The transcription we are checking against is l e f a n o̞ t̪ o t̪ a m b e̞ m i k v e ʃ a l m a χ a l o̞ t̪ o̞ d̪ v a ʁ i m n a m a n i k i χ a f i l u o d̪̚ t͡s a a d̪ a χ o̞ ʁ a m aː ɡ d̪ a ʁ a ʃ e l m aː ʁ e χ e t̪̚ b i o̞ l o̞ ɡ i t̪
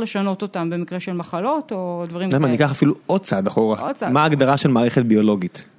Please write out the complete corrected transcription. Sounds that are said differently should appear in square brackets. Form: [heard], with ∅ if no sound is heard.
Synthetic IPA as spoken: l e [ʃ] a n o̞ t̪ o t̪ a m b e̞ m i k [ʁ] e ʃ [e] l m a χ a l o̞ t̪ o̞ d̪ v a ʁ i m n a m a n i k [a] χ a f i l u o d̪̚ t͡s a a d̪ a χ o̞ ʁ a m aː ɡ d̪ a ʁ a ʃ e l m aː ʁ e χ e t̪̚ b i o̞ l o̞ ɡ i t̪